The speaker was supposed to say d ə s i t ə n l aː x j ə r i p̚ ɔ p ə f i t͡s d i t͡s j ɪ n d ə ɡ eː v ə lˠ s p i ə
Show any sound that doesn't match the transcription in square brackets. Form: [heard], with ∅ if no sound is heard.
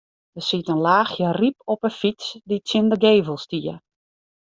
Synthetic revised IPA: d ə s i t ə n l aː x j ə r i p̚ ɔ p ə f i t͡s d i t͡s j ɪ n d ə ɡ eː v ə lˠ s [t] i ə